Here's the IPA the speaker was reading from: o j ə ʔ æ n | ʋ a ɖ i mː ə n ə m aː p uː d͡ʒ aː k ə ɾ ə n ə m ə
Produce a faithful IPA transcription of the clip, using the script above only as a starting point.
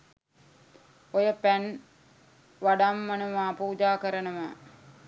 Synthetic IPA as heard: o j ə p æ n | ʋ a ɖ a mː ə n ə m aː p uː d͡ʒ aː k ə ɾ ə n ə m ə